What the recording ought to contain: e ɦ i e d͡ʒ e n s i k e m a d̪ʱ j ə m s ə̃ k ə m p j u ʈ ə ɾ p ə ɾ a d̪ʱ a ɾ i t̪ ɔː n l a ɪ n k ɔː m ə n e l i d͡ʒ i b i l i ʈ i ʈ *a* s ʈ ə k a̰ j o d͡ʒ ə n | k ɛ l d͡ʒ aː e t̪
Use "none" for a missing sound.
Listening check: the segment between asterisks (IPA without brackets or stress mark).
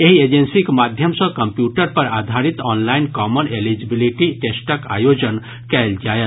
e